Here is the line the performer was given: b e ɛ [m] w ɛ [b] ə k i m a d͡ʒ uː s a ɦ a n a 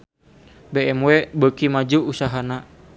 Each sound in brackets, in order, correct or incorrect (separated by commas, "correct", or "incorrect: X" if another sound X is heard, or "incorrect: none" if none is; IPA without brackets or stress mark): correct, correct